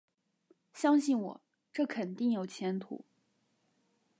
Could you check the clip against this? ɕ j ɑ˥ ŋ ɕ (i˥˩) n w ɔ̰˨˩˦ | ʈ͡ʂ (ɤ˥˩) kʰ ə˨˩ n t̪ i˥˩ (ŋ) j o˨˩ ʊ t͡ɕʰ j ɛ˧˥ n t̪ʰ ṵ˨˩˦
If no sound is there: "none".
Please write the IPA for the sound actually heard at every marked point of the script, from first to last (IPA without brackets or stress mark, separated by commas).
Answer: i˥˩, ɤ˥˩, ŋ